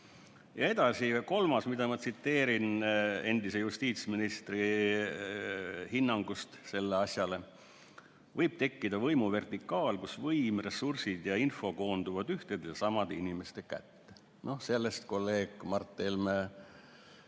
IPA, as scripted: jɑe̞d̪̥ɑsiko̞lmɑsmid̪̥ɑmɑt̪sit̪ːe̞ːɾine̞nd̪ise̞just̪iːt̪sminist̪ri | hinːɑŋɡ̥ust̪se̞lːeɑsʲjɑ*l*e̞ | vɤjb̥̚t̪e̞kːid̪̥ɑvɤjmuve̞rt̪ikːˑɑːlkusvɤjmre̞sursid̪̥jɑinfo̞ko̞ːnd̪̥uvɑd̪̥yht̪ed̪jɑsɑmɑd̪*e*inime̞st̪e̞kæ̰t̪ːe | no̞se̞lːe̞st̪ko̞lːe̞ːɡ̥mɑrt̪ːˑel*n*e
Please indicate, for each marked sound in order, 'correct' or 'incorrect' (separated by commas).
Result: correct, correct, incorrect